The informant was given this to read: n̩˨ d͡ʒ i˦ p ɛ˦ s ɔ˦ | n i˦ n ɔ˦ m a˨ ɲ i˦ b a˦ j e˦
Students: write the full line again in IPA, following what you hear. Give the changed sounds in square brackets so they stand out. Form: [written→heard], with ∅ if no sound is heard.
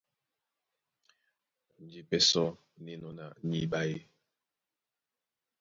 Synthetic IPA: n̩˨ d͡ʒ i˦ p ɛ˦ s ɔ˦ | n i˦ n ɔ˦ [m→n] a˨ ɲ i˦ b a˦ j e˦